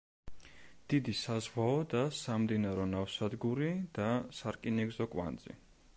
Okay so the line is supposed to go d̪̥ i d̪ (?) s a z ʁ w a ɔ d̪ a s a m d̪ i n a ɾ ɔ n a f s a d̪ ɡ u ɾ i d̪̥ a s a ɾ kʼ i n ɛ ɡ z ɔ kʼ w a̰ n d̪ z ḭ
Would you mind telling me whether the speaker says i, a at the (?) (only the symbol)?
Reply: i